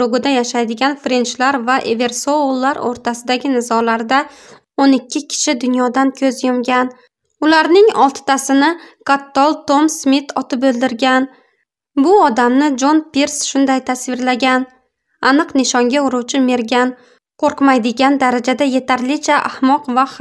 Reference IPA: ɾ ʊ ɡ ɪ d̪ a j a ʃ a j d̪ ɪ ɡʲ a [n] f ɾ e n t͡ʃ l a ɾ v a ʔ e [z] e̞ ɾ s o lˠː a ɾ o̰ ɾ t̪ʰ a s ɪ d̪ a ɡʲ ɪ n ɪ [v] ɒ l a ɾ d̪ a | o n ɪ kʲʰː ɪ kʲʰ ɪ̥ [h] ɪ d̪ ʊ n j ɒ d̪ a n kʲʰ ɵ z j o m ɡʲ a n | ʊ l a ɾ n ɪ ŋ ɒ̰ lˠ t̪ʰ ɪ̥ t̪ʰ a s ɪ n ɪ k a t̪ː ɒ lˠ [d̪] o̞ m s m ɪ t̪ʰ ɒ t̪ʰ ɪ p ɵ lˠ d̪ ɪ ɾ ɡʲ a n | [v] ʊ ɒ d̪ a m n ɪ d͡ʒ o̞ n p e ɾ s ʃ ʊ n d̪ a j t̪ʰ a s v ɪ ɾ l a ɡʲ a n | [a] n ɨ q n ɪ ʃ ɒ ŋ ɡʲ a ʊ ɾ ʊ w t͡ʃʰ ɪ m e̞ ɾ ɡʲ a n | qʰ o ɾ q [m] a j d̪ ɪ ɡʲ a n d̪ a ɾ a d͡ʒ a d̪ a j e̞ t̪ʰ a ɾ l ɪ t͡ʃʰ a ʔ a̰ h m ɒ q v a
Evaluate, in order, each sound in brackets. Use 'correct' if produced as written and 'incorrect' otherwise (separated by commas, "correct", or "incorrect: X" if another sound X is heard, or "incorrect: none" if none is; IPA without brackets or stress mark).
correct, incorrect: v, incorrect: z, incorrect: ʃ, incorrect: t̪, incorrect: b, correct, correct